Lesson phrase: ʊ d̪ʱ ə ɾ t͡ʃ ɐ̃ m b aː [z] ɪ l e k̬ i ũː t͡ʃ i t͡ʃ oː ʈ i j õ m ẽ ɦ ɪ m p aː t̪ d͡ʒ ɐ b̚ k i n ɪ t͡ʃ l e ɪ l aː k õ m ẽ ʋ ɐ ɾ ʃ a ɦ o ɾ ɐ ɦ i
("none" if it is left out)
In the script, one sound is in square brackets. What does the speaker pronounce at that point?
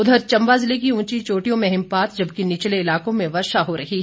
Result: z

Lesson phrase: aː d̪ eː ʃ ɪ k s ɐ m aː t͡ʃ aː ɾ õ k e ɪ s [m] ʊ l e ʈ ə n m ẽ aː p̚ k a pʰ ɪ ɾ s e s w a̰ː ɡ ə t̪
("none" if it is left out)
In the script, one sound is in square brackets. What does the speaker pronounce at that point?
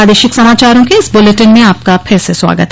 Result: b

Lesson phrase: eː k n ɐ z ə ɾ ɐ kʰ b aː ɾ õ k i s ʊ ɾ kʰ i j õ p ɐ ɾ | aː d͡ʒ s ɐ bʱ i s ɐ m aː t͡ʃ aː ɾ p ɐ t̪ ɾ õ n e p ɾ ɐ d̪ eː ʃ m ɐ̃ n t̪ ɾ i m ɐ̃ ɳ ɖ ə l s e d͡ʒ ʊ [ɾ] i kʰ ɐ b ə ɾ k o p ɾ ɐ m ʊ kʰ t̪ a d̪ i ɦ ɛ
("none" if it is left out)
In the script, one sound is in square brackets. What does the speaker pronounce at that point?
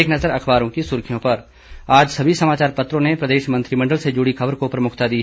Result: ɽ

